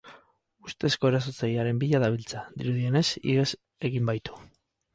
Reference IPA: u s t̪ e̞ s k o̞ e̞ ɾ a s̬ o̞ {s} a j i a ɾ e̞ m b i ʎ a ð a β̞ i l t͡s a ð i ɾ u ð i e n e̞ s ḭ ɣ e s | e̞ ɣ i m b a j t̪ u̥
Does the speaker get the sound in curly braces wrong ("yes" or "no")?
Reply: yes